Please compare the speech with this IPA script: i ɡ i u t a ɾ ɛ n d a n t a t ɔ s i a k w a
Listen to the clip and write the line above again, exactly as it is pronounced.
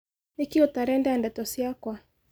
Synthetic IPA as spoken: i k i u t a ɾ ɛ n d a n d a t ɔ s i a k w a